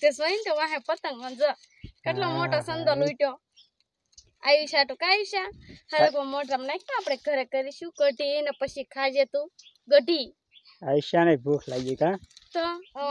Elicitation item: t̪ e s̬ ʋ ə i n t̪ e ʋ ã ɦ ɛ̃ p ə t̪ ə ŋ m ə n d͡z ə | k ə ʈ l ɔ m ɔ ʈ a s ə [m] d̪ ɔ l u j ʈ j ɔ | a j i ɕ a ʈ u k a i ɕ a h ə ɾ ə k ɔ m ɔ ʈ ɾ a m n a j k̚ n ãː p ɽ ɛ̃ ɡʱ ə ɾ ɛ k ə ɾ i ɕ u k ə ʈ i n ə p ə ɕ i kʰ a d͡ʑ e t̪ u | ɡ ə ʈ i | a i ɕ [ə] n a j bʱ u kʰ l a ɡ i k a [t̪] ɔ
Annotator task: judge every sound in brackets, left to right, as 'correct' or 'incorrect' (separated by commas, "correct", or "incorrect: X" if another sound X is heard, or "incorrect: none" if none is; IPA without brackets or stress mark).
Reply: incorrect: n, incorrect: a, correct